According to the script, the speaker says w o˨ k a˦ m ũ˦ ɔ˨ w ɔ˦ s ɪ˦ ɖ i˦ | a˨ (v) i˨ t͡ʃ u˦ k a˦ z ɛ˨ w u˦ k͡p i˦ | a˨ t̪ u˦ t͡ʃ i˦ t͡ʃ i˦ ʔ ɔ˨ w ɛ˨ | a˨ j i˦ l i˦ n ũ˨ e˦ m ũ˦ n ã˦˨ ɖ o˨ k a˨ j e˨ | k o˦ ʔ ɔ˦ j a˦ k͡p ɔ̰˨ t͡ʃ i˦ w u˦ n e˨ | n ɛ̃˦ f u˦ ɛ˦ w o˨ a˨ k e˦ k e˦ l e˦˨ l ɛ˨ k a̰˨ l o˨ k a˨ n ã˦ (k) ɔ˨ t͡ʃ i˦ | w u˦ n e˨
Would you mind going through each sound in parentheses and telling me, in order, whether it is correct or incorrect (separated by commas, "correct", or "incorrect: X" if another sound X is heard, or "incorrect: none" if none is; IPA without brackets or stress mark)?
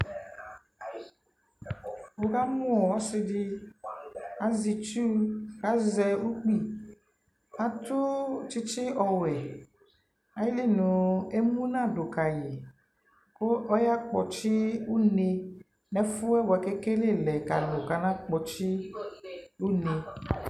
incorrect: z, incorrect: k͡p